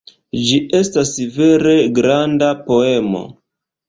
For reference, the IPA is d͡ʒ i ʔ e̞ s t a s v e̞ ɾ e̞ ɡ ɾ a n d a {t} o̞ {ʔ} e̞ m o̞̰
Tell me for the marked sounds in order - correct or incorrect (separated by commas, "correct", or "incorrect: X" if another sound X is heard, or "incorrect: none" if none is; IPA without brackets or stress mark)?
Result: incorrect: p, incorrect: none